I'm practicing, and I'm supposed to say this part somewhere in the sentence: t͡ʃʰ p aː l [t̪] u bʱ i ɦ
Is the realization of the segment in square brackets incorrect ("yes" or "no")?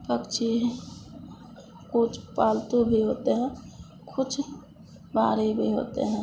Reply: no